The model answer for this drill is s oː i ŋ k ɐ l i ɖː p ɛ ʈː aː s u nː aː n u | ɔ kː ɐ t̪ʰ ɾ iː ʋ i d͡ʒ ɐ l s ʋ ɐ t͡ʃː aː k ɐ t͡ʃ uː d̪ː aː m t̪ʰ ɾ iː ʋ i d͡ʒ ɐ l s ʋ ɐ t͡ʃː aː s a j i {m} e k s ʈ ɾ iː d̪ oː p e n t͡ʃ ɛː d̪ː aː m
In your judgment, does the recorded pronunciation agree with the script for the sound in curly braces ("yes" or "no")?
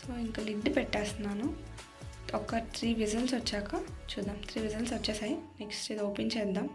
no